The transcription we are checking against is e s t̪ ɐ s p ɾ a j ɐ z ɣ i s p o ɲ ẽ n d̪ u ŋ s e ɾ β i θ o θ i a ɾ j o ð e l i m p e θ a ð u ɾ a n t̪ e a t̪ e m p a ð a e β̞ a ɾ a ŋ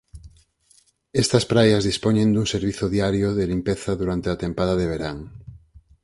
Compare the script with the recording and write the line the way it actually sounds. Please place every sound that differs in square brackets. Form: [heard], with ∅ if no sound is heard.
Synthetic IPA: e s t̪ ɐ s p ɾ a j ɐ z [ð] i s p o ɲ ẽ n d̪ u ŋ s e ɾ β i θ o [ð] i a ɾ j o ð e l i m p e θ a ð u ɾ a n t̪ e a t̪ e m p a ð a e β̞ [e] ɾ a ŋ